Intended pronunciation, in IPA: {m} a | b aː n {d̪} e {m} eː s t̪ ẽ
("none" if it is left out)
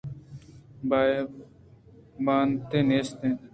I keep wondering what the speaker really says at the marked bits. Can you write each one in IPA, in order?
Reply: b, t̪, n

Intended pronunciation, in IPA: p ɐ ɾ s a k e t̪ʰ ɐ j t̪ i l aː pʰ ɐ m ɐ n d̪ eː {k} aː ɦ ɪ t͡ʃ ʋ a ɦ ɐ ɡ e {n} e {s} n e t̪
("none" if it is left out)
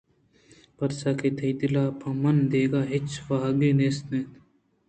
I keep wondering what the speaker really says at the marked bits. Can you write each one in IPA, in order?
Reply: ɡ, n, s

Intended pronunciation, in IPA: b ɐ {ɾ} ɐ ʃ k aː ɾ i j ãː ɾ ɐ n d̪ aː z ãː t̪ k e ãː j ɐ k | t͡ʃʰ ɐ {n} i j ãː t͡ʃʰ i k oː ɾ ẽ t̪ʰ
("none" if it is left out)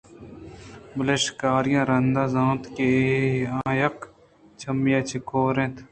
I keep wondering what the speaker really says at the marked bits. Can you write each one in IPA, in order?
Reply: l, m

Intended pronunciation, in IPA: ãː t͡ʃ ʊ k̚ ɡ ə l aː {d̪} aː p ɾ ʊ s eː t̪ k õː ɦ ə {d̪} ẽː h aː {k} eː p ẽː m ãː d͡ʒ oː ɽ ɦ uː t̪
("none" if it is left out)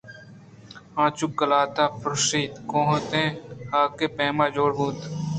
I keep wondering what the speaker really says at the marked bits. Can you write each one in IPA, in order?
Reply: t̪, t̪, k

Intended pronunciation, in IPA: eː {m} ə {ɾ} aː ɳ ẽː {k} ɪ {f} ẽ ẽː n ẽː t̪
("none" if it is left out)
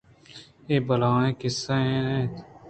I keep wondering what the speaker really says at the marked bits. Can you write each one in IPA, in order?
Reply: b, l, k, s

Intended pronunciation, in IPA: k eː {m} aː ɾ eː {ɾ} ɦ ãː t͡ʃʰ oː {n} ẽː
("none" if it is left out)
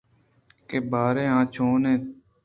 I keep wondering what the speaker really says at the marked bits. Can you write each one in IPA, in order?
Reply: b, none, n

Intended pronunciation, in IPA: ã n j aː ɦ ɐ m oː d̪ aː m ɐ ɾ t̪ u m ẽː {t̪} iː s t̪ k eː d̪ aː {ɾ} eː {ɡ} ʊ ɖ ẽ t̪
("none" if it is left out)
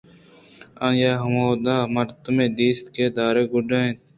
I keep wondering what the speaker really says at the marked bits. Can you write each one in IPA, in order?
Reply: d̪, ɾ, ɡ

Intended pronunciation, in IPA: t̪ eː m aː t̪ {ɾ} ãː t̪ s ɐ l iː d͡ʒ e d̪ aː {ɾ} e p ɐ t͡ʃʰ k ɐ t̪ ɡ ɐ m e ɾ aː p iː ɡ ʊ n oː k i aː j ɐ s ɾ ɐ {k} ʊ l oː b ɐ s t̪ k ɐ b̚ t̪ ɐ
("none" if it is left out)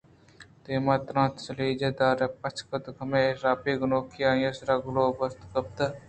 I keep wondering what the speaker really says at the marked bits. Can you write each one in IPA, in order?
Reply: ɾ, ɾ, ɡ

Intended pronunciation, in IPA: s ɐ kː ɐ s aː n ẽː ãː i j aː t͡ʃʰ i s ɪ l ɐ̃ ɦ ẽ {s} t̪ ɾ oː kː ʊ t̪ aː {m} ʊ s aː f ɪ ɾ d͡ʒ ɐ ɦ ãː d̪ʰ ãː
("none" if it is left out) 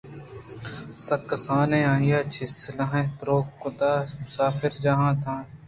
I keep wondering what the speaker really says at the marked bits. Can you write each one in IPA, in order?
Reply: none, m

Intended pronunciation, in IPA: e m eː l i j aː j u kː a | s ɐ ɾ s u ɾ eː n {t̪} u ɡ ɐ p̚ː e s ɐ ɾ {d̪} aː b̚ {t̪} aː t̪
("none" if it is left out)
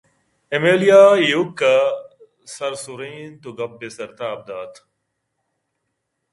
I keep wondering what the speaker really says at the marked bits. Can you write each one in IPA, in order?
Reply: t̪, t̪, d̪

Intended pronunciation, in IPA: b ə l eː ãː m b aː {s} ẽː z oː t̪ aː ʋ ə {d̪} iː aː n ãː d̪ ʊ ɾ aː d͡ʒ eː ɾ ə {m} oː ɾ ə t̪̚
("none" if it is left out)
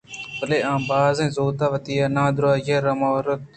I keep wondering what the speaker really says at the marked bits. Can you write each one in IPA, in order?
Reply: z, t̪, m

